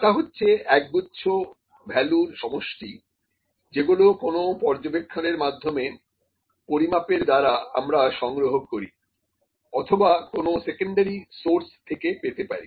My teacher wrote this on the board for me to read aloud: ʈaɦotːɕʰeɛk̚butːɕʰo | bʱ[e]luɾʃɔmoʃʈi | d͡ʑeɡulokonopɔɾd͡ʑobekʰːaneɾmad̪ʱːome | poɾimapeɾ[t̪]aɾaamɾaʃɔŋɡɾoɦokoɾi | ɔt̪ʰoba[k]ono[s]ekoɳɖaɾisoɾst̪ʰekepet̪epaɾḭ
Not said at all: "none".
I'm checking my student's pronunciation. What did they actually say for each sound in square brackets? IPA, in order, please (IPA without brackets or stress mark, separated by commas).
ɛ, d̪, k, s